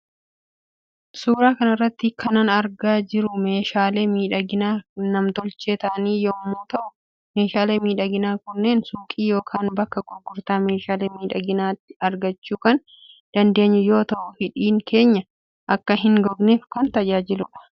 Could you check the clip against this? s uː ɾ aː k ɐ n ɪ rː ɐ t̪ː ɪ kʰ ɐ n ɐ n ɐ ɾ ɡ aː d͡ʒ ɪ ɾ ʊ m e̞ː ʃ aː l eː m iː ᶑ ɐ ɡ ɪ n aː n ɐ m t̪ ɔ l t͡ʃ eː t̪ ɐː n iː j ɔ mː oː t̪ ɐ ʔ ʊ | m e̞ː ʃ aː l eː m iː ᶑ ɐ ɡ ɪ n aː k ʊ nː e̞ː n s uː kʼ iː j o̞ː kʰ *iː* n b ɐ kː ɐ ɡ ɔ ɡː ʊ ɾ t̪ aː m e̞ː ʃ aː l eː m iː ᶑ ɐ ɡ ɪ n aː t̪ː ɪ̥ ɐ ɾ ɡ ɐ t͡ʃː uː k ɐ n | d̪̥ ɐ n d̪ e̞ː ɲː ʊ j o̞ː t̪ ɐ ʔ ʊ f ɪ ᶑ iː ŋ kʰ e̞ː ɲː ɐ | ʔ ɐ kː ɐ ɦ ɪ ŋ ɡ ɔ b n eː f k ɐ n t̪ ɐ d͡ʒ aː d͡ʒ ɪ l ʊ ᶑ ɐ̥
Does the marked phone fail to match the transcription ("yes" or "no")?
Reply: yes